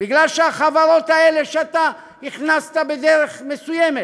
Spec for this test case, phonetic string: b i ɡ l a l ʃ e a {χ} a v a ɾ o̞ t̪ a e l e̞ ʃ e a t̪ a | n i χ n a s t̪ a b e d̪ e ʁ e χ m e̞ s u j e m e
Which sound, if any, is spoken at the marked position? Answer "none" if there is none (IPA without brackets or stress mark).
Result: χ